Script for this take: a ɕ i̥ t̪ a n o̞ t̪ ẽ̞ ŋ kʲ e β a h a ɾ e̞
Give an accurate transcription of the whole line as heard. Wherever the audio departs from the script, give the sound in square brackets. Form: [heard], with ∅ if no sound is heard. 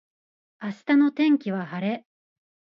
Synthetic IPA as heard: a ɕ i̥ t̪ a n o̞ t̪ ẽ̞ ŋ kʲ [i] β a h a ɾ e̞

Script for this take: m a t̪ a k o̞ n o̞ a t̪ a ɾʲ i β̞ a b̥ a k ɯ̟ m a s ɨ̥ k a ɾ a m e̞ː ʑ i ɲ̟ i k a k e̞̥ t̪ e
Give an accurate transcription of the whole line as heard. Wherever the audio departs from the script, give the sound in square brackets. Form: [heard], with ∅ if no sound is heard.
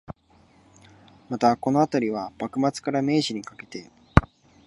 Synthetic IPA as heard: m a t̪ a k o̞ n o̞ a t̪ a ɾʲ i β̞ a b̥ a k ɯ̟ m a [t͡s] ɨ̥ k a ɾ a m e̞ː ʑ i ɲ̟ i k a k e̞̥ t̪ e

